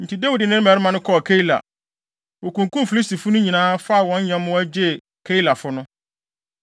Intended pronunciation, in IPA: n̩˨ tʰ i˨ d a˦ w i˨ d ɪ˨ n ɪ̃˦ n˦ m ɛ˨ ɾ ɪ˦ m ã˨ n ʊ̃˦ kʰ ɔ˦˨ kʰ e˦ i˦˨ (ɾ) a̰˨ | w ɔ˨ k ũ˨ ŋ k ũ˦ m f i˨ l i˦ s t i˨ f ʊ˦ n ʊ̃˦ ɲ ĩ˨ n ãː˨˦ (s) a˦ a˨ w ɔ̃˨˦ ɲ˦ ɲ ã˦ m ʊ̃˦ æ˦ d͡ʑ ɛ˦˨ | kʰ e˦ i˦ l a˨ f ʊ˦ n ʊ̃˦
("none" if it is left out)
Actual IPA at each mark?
l, f

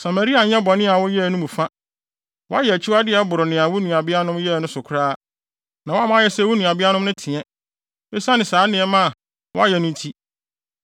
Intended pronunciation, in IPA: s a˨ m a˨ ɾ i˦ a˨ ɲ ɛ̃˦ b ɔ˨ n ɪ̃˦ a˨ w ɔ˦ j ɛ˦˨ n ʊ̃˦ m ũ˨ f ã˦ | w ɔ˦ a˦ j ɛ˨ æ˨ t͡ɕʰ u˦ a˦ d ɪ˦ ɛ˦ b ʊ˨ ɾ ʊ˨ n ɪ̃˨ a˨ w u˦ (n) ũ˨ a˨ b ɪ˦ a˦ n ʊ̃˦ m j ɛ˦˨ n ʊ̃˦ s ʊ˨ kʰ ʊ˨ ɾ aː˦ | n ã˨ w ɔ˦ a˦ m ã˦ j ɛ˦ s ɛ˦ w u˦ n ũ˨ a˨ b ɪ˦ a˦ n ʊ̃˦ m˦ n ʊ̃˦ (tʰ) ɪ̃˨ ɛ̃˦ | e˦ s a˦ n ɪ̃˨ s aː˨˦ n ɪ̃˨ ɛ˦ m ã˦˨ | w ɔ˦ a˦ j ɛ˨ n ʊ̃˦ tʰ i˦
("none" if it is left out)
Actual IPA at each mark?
n, tʰ

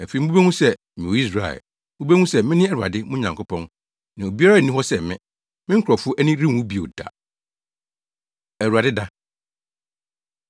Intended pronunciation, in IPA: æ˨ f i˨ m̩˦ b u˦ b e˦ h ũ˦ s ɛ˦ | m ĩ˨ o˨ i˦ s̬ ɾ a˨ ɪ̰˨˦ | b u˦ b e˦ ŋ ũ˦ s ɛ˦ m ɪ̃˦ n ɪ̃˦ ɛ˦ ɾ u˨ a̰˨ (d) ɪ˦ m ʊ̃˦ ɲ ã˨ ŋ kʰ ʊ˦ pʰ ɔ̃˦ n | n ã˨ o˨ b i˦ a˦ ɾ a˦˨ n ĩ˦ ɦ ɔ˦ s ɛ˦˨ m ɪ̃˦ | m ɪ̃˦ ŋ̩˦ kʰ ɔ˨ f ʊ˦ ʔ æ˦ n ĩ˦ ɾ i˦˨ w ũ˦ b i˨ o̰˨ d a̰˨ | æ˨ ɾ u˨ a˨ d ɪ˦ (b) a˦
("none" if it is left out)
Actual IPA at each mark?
d, d

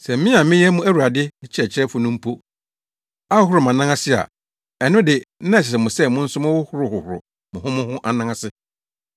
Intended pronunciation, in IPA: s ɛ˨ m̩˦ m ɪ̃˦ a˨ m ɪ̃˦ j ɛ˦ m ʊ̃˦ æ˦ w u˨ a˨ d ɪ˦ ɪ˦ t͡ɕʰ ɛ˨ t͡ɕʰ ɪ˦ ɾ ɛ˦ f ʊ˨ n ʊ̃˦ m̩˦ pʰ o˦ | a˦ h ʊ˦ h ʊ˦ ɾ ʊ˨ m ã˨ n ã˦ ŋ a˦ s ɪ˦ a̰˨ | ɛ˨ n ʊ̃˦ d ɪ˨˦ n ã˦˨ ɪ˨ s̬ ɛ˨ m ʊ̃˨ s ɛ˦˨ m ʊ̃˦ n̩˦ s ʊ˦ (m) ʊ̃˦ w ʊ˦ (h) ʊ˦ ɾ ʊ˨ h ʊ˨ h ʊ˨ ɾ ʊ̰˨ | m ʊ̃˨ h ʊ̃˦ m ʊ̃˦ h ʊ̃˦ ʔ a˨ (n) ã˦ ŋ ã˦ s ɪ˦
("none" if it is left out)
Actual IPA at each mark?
m, h, n

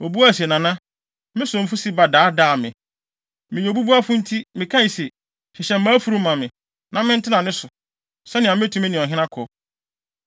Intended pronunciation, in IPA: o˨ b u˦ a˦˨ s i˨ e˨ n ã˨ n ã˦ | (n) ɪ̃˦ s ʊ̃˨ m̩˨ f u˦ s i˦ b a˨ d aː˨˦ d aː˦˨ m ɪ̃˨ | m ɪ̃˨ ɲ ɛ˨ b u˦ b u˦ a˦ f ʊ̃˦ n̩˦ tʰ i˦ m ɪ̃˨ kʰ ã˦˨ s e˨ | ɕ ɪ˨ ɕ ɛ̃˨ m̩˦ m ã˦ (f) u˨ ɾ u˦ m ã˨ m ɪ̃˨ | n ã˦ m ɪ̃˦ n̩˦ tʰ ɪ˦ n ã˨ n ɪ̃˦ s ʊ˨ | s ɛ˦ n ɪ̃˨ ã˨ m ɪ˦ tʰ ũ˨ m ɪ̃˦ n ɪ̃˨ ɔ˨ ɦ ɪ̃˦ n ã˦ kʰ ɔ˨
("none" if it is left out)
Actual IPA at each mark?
m, f

